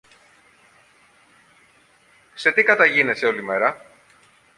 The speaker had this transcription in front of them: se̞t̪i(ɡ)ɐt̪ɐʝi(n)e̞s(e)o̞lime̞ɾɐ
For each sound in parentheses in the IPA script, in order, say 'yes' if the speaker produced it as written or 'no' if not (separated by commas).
no, yes, yes